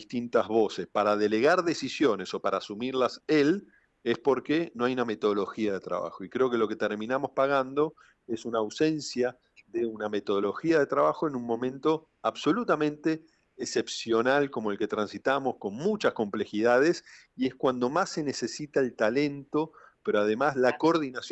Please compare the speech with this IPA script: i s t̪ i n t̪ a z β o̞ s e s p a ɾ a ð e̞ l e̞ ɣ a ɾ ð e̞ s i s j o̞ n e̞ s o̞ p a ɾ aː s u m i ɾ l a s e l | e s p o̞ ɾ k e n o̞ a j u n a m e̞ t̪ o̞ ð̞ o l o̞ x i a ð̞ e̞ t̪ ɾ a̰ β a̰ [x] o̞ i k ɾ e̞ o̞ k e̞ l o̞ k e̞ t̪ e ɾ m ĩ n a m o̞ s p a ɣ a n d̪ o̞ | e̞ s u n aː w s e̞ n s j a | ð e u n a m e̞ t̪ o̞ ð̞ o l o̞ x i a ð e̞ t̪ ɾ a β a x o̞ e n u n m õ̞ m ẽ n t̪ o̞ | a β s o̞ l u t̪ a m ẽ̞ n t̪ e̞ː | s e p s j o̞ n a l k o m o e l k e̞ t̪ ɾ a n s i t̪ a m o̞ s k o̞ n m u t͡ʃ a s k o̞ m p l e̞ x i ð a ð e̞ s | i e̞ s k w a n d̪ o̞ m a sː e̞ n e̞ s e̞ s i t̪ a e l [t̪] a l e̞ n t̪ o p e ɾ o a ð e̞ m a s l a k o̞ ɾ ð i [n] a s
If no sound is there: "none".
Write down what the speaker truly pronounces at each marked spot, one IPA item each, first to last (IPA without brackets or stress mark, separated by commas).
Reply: x, t̪, n